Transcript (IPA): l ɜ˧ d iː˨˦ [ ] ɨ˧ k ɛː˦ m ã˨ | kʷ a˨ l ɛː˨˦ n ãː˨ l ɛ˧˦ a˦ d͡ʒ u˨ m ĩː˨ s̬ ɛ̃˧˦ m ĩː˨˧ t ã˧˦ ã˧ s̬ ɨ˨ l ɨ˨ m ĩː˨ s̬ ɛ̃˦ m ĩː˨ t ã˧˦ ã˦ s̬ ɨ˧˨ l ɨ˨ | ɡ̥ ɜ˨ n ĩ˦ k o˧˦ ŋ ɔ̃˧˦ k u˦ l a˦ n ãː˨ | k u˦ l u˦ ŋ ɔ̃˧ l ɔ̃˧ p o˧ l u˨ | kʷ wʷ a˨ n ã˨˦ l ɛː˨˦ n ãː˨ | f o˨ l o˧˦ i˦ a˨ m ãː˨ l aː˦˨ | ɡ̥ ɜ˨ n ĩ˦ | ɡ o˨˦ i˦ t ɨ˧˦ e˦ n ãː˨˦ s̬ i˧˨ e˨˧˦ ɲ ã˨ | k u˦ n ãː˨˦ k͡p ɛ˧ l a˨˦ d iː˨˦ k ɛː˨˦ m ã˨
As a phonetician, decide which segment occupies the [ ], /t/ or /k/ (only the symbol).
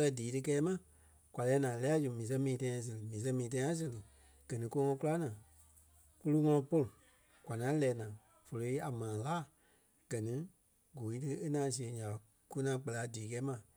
t